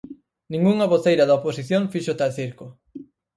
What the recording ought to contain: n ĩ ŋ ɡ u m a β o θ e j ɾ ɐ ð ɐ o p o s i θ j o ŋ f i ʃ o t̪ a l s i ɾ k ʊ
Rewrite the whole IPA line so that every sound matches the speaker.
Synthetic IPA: n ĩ ŋ ɡ u ŋ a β o θ e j ɾ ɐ ð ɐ o p o s i θ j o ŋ f i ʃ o t̪ a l θ i ɾ k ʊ

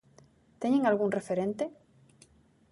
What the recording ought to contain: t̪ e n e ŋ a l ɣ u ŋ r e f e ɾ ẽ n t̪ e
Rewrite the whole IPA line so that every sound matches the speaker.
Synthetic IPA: t̪ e ɲ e ŋ a l ɣ u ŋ r e f e ɾ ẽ n t̪ e

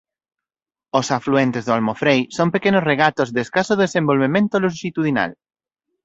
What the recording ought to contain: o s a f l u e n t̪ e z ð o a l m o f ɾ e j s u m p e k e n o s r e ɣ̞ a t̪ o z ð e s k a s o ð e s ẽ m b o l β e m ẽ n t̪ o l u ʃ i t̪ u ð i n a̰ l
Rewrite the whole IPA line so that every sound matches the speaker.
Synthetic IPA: o s a f l u e n t̪ e z ð o a l m o f ɾ e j s o m p e k e n o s r e ɣ̞ a t̪ o z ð e s k a s o ð e s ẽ m b o l β e m ẽ n t̪ o l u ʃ i t̪ u ð i n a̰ l

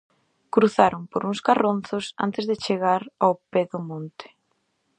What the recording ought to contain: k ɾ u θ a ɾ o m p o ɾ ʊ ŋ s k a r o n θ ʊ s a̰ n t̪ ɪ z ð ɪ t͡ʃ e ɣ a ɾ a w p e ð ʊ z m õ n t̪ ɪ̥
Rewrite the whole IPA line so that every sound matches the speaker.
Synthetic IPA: k ɾ u θ a ɾ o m p o ɾ u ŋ s k a r o n θ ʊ s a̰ n t̪ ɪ z ð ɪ t͡ʃ e ɣ a ɾ a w p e ð ʊ m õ n t̪ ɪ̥

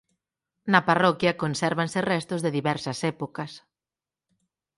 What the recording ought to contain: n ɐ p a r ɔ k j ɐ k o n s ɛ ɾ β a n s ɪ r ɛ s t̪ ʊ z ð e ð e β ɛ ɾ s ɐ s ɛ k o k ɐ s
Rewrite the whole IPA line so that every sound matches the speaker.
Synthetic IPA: n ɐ p a r ɔ k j ɐ k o n s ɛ ɾ β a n s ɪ r ɛ s t̪ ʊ z ð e ð i β ɛ ɾ s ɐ s ɛ p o k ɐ s

